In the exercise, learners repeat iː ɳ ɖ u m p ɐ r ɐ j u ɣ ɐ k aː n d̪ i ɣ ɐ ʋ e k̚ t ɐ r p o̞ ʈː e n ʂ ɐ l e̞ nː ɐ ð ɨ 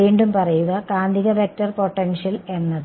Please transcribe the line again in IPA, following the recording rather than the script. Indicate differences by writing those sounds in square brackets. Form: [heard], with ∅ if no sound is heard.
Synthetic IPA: iː ɳ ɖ u m p ɐ r ɐ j u ɣ ɐ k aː n d̪ i ɣ ɐ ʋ e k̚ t ɐ r p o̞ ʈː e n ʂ ɐ l e̞ nː ɐ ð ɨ